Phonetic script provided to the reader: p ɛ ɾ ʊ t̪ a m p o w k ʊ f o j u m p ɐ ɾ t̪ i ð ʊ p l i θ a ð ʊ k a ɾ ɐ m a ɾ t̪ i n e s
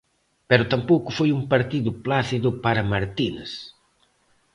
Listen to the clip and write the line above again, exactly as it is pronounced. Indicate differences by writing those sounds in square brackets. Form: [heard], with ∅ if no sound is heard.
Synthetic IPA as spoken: p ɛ ɾ ʊ t̪ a m p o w k ʊ f o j u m p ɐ ɾ t̪ i ð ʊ p l [a] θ [i] ð ʊ [p] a ɾ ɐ m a ɾ t̪ i n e s